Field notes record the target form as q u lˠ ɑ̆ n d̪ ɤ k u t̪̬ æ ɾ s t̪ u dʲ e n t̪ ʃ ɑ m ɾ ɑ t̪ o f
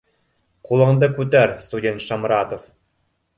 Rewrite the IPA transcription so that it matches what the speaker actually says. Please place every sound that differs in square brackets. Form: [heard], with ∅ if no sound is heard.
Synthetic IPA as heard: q u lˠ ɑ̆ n d̪ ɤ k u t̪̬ æ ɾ s t̪ u dʲ e n t̪ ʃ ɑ m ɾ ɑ t̪ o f